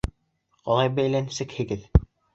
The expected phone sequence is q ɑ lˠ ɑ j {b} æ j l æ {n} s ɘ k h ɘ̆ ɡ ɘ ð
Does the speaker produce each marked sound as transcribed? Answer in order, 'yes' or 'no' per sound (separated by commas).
yes, yes